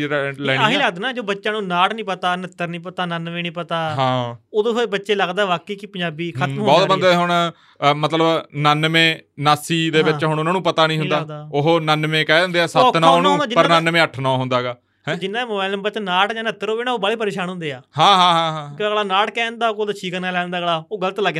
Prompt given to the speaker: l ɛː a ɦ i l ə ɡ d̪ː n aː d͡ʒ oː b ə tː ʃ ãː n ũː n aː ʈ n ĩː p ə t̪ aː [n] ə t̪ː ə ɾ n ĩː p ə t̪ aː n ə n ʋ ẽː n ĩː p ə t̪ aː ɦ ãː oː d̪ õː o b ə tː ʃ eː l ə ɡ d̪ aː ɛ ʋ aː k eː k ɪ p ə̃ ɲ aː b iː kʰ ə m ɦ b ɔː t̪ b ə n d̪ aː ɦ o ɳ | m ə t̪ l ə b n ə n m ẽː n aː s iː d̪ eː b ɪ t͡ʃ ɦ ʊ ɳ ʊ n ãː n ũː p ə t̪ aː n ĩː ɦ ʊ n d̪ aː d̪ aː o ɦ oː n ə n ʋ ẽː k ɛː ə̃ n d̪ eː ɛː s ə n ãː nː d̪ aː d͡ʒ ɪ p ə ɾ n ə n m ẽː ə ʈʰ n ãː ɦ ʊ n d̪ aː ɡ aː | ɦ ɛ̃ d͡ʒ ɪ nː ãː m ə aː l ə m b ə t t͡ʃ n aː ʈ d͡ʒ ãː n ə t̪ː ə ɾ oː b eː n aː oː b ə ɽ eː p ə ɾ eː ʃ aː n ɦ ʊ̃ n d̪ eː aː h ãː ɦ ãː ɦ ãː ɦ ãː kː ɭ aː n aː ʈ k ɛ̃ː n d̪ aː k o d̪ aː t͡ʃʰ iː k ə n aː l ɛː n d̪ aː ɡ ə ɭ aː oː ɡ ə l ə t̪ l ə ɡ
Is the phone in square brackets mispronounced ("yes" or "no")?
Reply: no